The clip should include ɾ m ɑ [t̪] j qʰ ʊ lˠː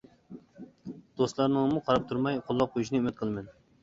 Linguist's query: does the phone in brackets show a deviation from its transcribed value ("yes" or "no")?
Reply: yes